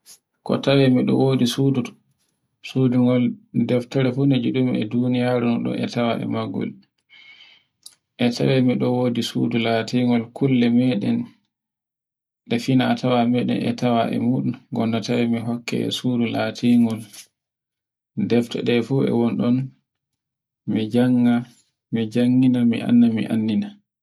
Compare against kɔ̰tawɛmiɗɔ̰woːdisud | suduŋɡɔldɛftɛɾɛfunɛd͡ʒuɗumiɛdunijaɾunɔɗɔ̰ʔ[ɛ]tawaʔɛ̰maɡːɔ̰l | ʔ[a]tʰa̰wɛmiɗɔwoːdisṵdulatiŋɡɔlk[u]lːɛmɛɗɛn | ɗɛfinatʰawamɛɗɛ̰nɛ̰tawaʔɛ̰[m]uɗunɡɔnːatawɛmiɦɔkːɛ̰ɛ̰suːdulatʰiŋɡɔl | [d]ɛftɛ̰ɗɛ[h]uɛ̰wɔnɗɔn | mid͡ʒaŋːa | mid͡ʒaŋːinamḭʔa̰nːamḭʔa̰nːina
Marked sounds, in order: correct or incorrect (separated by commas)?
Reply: correct, incorrect, correct, correct, correct, incorrect